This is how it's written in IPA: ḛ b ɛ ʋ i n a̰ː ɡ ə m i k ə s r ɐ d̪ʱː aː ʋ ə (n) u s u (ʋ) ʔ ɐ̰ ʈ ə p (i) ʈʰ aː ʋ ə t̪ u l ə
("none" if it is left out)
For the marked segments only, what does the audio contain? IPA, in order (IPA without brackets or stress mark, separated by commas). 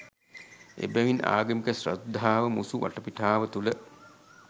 m, ʋ, i